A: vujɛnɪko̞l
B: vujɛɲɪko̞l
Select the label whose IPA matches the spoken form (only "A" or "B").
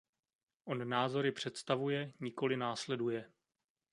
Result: B